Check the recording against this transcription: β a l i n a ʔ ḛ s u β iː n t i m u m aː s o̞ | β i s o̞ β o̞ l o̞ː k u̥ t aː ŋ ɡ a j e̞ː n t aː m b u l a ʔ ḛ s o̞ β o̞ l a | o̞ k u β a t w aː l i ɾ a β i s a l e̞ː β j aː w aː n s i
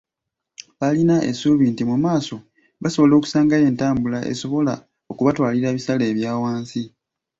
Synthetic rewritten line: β a l i n a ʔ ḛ s u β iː n t i m u m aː s o̞ | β a s o̞ β o̞ l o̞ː k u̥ s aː ŋ ɡ a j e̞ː n t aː m b u l a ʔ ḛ s o̞ β o̞ l a | o̞ k u β a t w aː l i ɾ a β i s a l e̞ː β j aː w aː n s i